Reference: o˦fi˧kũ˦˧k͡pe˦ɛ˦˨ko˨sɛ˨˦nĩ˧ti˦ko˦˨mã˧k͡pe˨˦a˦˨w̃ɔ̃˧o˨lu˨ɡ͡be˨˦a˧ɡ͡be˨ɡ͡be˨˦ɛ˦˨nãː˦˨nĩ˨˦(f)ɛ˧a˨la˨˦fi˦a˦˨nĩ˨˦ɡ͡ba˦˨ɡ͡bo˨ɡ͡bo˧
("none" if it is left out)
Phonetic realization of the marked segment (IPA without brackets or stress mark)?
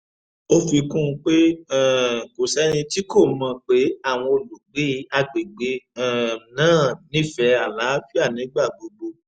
f